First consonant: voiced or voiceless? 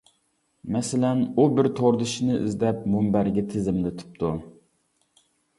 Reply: voiced